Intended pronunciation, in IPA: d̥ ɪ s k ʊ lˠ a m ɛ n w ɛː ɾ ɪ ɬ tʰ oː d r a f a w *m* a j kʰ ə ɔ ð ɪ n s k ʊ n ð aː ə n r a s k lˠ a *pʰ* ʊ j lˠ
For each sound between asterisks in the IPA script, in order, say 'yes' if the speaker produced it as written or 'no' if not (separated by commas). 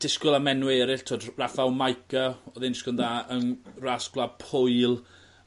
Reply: yes, yes